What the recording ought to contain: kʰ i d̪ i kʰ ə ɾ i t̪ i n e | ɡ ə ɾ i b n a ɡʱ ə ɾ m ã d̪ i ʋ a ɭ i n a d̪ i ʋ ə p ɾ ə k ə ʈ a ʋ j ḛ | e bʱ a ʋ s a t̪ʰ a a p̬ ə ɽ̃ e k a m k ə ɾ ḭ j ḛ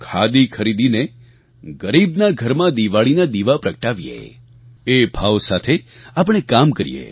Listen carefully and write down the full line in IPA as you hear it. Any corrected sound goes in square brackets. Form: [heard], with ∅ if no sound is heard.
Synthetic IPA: kʰ [a] d̪ i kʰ ə ɾ i [d̪] i n e | ɡ ə ɾ i b n a ɡʱ ə ɾ m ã d̪ i ʋ a ɭ i n a d̪ i ʋ [a] p ɾ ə k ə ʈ a ʋ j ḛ | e bʱ a ʋ s a t̪ʰ [e] a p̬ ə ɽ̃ e k a m k ə ɾ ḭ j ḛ

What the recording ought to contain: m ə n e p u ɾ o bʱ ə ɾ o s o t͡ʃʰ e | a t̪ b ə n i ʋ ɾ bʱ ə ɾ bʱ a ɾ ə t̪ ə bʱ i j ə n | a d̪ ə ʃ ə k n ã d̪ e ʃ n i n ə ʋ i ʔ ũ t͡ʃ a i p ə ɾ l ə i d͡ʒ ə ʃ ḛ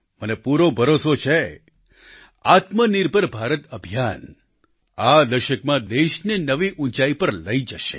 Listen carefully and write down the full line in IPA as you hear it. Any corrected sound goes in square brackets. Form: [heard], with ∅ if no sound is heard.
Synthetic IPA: m ə n e p u ɾ o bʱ ə ɾ o s o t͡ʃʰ e | a t̪ [m] ə n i [∅] ɾ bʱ ə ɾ bʱ a ɾ ə t̪ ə bʱ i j [a] n | a d̪ ə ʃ ə k [m] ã d̪ e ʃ n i n ə ʋ i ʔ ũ t͡ʃ a i p ə ɾ l ə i d͡ʒ ə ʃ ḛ

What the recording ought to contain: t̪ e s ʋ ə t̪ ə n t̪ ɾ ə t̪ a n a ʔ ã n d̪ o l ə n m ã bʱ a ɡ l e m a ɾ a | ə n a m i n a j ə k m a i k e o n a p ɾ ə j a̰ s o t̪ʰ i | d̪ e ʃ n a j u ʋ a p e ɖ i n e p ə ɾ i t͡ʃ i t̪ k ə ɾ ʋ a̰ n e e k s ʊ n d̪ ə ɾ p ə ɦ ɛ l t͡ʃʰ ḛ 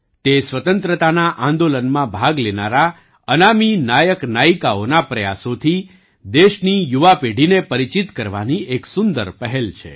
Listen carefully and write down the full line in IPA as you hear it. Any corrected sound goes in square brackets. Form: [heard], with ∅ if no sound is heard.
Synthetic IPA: t̪ e s ʋ ə t̪ ə n t̪ ɾ ə t̪ a n a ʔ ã n d̪ o l ə n m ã bʱ a ɡ l e [n] a ɾ a | ə n a m i n a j ə k [n] a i k [a] o n a p ɾ ə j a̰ s o t̪ʰ i | d̪ e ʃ n [i] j u ʋ a p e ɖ i n e p ə ɾ i t͡ʃ i t̪ k ə ɾ ʋ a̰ n [i] e k s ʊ n d̪ ə ɾ p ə ɦ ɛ l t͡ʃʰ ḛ

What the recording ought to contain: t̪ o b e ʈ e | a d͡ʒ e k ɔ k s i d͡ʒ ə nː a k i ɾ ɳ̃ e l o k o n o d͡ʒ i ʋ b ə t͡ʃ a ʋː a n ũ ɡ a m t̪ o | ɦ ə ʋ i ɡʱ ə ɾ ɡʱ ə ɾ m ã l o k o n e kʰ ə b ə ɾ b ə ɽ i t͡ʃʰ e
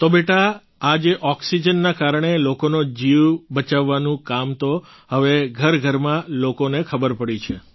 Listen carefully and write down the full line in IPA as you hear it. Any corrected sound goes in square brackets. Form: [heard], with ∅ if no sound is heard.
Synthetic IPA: t̪ o b e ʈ [a] | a d͡ʒ e [ʔ] ɔ k s i d͡ʒ ə nː a k [a] ɾ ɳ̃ e l o k o n o d͡ʒ i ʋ b ə t͡ʃ a ʋː a n ũ [k] a m t̪ o | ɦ ə ʋ [e] ɡʱ ə ɾ ɡʱ ə ɾ m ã l o k o n e kʰ ə b ə ɾ [p] ə ɽ i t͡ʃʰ e

